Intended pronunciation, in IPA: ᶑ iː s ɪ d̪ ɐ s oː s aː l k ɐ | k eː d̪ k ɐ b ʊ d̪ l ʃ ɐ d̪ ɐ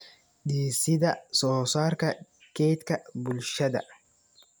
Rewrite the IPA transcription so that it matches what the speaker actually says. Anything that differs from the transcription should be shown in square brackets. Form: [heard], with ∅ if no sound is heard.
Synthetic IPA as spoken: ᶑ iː s ɪ d̪ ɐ s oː s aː [ɾ] k ɐ | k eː [t̪] k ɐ b ʊ [∅] l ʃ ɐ d̪ ɐ